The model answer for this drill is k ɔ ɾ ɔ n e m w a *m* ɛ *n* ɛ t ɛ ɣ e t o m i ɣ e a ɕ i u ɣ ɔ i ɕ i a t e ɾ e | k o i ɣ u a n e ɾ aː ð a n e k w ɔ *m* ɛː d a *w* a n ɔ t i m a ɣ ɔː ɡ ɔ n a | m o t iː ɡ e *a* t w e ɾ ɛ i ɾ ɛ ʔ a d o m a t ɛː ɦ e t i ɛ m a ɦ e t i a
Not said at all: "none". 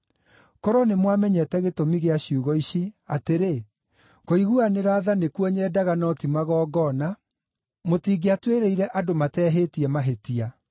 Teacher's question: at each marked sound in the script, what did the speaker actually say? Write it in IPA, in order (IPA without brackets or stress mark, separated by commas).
m, ɲ, ɲ, ɣ, a